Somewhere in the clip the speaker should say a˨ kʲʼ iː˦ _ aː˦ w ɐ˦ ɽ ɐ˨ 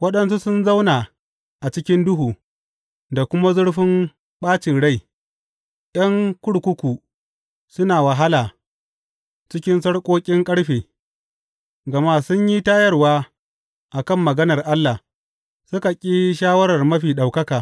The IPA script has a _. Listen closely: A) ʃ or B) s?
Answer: A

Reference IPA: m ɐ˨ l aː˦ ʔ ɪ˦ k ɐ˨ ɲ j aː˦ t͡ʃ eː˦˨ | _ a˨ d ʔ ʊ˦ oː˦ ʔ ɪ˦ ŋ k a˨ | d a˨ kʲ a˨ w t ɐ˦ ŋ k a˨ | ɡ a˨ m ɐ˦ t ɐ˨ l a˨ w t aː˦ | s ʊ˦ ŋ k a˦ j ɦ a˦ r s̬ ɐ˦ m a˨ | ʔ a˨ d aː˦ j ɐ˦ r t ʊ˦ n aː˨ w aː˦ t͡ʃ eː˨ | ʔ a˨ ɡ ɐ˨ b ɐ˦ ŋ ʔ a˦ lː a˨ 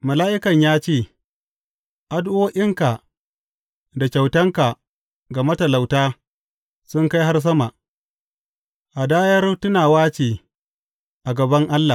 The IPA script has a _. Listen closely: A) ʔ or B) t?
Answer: A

